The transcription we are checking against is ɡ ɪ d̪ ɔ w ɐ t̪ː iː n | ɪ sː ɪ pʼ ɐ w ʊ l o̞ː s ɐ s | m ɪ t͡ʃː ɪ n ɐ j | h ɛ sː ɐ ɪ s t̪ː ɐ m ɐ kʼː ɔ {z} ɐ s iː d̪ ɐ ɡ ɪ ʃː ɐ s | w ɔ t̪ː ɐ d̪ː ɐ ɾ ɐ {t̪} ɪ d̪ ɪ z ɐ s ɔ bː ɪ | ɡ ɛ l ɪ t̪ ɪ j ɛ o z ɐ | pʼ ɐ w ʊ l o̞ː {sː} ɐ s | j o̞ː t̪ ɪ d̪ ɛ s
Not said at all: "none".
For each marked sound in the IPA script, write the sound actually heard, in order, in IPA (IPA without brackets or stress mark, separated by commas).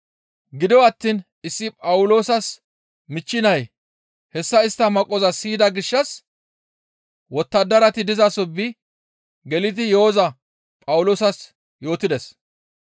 z, t̪, s